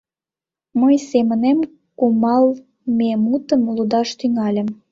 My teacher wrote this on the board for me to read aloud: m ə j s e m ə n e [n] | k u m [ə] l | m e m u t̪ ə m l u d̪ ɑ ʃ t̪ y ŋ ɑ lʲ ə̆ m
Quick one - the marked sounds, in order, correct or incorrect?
incorrect: m, incorrect: ɑ

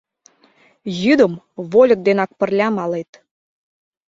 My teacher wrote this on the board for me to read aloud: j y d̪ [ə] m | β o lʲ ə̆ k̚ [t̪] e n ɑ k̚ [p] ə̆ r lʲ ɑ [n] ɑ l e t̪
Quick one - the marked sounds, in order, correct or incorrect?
correct, incorrect: d̪, correct, incorrect: m

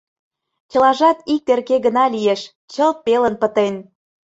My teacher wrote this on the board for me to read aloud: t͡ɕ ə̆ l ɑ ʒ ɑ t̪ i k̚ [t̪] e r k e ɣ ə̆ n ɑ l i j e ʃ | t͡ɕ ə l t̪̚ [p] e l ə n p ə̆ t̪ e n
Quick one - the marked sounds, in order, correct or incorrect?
correct, correct

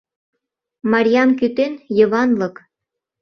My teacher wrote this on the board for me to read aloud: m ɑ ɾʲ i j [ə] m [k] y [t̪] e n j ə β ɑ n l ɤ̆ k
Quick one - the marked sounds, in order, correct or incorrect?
incorrect: ɑ, correct, correct

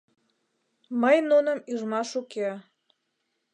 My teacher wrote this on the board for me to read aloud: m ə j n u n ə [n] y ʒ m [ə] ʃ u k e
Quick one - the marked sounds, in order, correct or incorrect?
incorrect: m, incorrect: ɑ

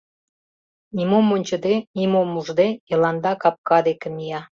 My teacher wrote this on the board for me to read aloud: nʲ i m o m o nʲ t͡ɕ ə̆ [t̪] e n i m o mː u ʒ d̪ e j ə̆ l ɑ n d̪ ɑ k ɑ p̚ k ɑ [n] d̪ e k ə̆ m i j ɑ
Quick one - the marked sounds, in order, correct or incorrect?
incorrect: d̪, incorrect: none

